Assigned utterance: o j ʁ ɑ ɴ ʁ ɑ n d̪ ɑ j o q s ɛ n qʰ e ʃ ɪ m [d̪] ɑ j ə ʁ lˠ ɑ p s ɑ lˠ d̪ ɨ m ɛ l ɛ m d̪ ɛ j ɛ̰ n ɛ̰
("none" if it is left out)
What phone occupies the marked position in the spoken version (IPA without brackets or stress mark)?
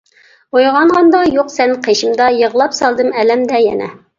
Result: d̪